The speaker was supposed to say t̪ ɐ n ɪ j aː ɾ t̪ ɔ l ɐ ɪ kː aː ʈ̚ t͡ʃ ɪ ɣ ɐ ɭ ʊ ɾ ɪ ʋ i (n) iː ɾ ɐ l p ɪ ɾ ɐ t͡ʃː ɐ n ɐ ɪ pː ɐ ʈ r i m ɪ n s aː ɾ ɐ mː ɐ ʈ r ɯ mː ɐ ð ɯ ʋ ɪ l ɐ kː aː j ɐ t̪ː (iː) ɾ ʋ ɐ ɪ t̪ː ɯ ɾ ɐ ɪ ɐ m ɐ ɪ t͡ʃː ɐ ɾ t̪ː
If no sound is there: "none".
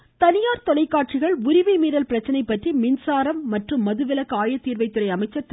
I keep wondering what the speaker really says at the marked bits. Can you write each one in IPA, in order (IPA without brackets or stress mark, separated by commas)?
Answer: m, iː